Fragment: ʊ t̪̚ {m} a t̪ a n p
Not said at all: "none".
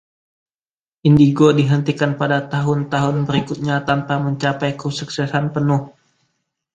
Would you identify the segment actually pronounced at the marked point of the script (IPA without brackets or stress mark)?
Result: ɲ